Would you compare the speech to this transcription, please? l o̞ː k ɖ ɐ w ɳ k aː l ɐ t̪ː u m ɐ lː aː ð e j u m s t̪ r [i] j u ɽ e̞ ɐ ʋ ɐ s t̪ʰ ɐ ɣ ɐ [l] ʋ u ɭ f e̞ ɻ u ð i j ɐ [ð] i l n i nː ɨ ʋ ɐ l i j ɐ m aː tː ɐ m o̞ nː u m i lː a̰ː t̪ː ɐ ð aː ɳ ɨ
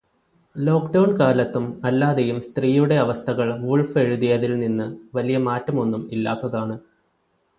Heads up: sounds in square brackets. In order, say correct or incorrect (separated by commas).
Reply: incorrect, incorrect, correct